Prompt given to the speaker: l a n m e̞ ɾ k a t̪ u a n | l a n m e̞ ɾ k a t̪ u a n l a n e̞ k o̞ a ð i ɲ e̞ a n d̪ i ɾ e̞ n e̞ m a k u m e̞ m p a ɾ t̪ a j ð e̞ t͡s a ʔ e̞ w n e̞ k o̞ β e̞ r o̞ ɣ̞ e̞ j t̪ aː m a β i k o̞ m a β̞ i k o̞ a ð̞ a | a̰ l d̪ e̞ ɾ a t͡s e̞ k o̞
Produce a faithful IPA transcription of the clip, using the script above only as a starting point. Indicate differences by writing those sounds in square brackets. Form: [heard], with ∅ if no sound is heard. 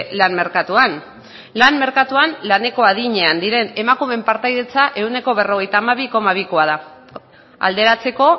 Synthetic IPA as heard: l a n m e̞ ɾ k a t̪ u a n | l a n m e̞ ɾ k a t̪ u a n l a n e̞ k o̞ a ð i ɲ e̞ a n d̪ i ɾ e̞ n e̞ m a k u m e̞ m p a ɾ t̪ a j ð e̞ t͡s a ʔ e̞ w n e̞ k o̞ β e̞ r o̞ ɣ̞ e̞ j t̪ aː m a β i k o̞ m a β̞ i k o̞ a ð̞ a | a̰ l d̪ e̞ ɾ a t͡s e̞ k o̞